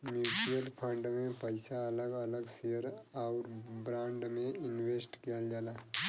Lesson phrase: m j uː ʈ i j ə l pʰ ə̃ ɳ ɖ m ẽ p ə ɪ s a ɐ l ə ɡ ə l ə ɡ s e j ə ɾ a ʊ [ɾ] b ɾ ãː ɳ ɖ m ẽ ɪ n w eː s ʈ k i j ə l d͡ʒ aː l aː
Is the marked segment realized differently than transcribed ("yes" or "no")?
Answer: no